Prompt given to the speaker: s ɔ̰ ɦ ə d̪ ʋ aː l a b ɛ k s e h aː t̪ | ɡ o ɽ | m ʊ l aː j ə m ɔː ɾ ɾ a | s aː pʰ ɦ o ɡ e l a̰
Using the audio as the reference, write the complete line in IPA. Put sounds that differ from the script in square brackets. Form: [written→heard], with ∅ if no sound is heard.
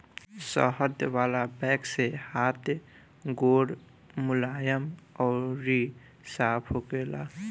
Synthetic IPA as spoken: s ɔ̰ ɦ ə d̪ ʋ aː l a b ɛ k s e h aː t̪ | ɡ o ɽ | m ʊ l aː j ə m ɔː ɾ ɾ [a→i] | s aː pʰ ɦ o ɡ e l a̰